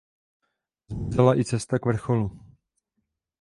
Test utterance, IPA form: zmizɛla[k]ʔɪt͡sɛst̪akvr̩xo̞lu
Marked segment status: incorrect: none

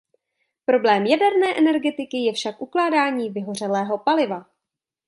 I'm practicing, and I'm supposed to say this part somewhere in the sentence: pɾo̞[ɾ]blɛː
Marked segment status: incorrect: none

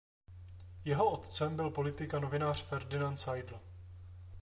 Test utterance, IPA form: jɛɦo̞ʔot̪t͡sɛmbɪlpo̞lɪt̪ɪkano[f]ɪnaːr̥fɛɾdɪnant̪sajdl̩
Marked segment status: incorrect: v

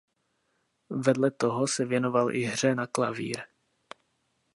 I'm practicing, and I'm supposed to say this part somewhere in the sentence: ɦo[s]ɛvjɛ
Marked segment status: correct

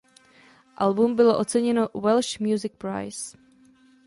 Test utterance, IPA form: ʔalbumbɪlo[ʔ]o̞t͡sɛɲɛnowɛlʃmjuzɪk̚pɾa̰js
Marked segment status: correct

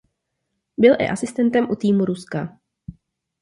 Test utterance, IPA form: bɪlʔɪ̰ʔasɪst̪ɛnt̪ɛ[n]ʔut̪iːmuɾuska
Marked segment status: incorrect: m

